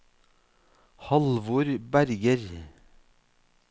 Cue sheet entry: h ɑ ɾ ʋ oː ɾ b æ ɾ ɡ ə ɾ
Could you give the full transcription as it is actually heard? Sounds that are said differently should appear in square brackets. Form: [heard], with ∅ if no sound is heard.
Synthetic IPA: h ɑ [l] ʋ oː ɾ b æ ɾ ɡ ə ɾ